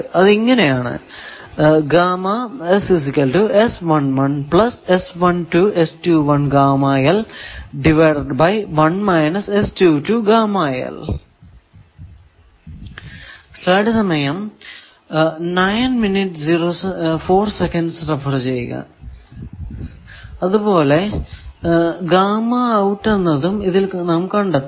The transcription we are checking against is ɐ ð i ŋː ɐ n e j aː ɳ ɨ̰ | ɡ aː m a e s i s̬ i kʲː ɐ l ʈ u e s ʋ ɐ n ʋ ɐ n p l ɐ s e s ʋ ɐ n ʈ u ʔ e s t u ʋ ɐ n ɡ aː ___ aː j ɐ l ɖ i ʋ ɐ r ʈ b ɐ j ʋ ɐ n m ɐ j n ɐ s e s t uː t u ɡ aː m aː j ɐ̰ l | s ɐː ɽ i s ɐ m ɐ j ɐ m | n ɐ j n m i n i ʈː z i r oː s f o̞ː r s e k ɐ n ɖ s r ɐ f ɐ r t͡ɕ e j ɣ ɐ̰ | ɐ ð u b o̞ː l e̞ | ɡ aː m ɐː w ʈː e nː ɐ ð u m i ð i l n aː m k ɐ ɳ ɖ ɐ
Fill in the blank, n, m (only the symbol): m